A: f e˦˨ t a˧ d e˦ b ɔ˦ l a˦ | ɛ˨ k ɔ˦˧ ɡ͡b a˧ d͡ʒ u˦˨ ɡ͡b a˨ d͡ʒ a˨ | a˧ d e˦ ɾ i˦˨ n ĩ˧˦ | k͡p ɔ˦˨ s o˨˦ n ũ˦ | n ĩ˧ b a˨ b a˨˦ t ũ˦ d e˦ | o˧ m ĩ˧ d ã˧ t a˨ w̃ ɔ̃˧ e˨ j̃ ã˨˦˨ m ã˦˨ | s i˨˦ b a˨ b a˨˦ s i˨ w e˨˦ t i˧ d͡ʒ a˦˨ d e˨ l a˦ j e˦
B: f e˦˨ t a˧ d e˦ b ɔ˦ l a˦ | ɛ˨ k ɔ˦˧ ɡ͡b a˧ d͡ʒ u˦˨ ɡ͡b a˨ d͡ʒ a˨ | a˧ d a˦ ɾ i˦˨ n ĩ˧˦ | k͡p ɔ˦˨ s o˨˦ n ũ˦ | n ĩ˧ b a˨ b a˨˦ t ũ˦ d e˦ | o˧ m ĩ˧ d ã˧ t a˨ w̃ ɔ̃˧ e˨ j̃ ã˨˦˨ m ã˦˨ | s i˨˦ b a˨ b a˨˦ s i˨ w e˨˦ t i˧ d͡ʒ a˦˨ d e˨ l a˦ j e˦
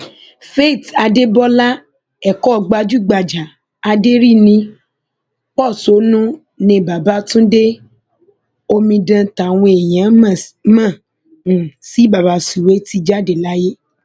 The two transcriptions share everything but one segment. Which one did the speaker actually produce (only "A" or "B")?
A